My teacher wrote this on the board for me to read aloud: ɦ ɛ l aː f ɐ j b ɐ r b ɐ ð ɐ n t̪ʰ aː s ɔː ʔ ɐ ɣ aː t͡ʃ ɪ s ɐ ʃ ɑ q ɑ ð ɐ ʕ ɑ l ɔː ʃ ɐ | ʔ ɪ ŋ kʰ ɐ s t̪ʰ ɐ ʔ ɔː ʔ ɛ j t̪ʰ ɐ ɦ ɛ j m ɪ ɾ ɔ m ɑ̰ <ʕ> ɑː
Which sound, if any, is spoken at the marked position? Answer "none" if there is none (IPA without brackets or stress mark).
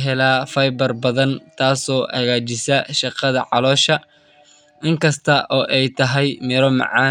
ʕ